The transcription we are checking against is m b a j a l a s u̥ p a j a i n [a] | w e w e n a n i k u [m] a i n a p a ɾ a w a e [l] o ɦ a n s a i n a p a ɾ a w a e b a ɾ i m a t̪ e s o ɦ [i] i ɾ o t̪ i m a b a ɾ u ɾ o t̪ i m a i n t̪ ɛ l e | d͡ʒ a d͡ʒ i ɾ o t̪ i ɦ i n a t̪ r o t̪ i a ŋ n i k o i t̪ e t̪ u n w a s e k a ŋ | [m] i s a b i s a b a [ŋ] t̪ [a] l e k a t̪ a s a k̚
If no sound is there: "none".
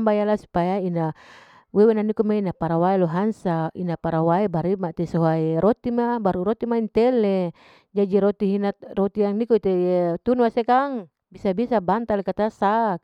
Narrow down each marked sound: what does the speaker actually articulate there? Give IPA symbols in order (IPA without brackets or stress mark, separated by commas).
a, m, l, a, b, n, a